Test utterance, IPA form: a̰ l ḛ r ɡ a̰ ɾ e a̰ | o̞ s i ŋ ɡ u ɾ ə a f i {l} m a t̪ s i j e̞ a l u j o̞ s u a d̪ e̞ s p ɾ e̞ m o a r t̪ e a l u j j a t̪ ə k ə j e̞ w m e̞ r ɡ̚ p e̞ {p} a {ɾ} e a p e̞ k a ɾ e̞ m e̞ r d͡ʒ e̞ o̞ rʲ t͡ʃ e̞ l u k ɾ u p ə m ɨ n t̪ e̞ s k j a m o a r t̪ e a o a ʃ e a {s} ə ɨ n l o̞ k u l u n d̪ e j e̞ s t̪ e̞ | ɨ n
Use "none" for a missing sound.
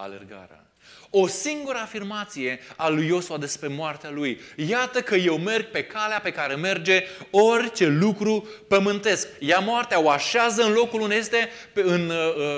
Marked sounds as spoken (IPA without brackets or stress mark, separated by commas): r, k, l, z